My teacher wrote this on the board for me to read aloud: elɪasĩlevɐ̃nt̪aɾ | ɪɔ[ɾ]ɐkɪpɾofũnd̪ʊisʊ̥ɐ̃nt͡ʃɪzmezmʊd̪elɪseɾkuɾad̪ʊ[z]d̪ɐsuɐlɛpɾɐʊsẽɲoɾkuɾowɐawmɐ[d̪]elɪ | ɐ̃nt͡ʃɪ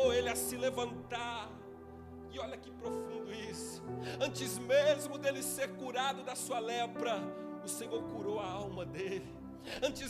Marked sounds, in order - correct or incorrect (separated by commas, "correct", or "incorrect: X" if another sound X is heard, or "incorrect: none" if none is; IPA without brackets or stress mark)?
incorrect: ʎ, incorrect: none, correct